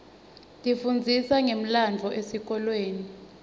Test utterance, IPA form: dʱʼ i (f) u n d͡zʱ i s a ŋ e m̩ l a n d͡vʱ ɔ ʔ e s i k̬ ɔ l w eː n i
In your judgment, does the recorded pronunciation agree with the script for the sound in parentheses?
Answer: yes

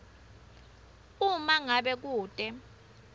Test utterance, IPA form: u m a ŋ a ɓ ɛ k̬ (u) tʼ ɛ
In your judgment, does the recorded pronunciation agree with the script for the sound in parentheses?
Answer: no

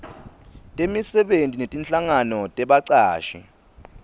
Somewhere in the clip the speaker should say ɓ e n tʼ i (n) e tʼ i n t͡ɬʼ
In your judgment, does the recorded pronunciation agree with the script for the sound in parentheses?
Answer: yes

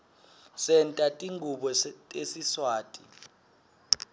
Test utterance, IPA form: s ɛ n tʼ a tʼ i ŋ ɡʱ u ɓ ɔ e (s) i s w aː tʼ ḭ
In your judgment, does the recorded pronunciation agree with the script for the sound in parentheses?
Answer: yes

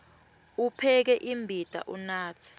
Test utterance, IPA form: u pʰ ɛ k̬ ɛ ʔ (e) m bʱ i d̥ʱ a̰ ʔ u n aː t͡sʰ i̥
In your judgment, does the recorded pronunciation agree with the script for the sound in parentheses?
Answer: no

